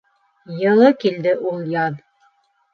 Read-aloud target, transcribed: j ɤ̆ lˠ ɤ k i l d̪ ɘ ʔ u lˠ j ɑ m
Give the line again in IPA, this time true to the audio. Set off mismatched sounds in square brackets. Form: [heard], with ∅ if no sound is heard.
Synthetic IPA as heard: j ɤ̆ lˠ ɤ k i l d̪ ɘ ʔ u lˠ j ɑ [n]